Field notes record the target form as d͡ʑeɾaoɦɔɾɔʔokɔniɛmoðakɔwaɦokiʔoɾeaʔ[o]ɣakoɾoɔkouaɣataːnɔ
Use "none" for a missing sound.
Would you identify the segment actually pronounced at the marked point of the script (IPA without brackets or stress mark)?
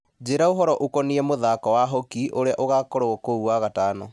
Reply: o